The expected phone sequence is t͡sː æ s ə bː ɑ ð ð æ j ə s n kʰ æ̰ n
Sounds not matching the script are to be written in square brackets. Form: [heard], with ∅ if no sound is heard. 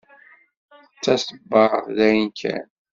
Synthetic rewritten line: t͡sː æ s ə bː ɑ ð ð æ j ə [∅] n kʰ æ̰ n